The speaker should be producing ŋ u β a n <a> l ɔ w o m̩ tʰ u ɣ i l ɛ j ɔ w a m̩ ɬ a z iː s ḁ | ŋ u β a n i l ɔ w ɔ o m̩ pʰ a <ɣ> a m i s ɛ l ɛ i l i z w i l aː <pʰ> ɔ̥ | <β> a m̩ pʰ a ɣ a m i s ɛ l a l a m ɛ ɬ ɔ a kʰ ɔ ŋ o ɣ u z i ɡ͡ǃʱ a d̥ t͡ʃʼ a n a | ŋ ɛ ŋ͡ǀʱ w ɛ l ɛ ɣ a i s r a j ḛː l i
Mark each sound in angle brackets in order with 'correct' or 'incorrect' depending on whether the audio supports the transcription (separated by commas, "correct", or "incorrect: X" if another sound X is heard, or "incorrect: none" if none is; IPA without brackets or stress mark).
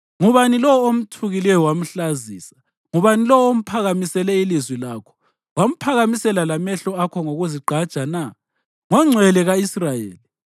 incorrect: i, correct, incorrect: kʰ, incorrect: w